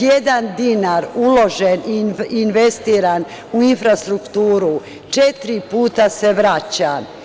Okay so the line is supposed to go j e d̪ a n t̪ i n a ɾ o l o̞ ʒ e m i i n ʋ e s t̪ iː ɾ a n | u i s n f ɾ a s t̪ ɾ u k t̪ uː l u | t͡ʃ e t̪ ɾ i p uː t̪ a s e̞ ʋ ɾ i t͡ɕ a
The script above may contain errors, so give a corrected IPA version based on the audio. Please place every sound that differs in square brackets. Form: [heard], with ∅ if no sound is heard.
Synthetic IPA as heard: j e d̪ a n [d̪] i n a ɾ [u] l o̞ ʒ e [n] i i n ʋ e s t̪ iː ɾ a n | u i [∅] n f ɾ a s t̪ ɾ u k t̪ uː [ɾ] u | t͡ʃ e t̪ ɾ i p uː t̪ a s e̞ ʋ ɾ [a] t͡ɕ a